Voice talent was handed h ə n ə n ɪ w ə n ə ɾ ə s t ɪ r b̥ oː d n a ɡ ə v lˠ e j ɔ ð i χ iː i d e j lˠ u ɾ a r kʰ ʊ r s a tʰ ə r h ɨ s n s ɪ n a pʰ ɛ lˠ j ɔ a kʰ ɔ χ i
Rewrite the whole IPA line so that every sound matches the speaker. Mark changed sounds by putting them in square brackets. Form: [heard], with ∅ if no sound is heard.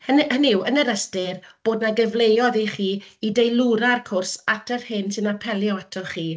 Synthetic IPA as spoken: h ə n ə n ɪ w ə n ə ɾ ə s t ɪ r b̥ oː d n a ɡ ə v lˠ e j ɔ ð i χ iː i d e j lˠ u ɾ a r kʰ ʊ r s a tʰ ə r h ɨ [∅] n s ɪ n a pʰ ɛ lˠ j ɔ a [tʰ] ɔ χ [iː]